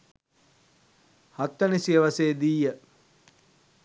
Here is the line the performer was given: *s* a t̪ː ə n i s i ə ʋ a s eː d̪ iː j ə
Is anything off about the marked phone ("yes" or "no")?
yes